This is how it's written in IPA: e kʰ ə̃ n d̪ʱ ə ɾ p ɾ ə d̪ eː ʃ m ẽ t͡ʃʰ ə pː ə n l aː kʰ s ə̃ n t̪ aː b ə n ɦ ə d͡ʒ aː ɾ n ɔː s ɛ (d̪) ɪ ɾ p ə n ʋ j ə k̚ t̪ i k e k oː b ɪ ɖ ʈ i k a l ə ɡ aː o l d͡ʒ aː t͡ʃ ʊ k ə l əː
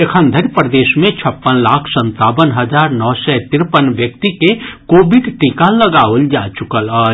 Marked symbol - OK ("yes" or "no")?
no